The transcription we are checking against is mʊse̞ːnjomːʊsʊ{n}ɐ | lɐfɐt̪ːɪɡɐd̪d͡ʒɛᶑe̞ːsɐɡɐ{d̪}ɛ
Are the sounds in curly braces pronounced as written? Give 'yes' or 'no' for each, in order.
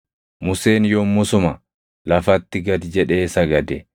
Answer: no, yes

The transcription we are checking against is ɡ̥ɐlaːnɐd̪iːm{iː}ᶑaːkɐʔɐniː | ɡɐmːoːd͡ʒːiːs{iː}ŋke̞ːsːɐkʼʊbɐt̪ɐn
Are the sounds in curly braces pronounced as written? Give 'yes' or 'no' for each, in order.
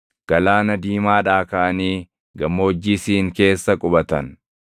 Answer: no, yes

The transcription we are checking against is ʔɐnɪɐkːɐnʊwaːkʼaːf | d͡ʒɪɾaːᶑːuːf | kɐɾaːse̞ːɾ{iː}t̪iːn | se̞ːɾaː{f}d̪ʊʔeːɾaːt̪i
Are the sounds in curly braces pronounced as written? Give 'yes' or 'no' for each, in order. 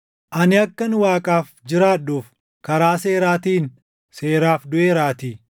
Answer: no, yes

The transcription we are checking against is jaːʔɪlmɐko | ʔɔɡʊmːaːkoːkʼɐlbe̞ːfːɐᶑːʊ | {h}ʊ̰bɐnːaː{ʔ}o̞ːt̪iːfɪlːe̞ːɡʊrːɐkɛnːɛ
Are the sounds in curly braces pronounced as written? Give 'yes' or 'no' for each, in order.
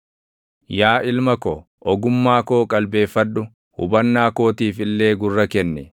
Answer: yes, no

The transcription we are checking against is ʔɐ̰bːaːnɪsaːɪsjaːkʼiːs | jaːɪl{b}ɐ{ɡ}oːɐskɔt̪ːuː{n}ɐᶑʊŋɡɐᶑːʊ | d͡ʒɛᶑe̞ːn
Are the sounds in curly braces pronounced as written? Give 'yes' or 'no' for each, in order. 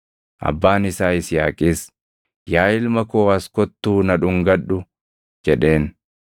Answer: no, no, yes

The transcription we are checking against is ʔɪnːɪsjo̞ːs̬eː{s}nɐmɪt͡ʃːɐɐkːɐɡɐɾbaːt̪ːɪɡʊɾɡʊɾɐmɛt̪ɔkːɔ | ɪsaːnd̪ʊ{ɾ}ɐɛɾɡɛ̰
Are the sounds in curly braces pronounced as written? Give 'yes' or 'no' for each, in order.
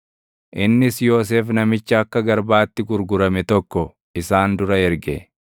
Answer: no, yes

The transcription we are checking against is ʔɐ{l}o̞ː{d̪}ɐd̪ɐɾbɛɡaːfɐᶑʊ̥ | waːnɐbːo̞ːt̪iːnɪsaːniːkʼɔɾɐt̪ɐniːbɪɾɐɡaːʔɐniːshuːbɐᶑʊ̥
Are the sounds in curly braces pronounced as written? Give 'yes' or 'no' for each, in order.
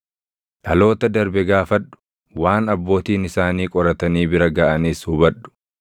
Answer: yes, no

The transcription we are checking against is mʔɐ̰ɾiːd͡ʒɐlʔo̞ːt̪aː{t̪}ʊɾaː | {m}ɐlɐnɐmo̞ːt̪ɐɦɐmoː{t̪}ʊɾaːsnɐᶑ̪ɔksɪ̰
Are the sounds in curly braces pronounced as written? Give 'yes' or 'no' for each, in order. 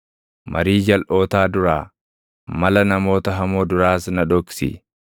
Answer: no, yes, no

